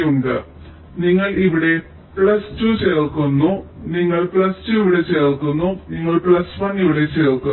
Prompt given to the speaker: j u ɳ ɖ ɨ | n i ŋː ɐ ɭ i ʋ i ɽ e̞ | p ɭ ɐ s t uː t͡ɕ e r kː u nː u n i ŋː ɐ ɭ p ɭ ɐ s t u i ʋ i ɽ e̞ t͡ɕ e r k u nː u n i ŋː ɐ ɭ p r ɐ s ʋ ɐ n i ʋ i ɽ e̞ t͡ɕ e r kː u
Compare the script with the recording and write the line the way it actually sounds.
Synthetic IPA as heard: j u ɳ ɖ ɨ | n i ŋː ɐ ɭ i ʋ i ɽ e̞ | p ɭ ɐ s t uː t͡ɕ e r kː u nː u n i ŋː ɐ ɭ p ɭ ɐ s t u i ʋ i ɽ e̞ t͡ɕ e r k u nː u n i ŋː ɐ ɭ p ɭ ɐ s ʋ ɐ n i ʋ i ɽ e̞ t͡ɕ e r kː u